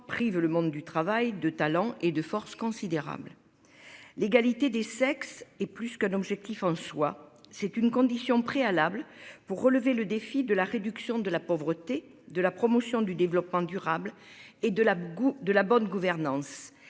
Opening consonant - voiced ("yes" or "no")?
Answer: no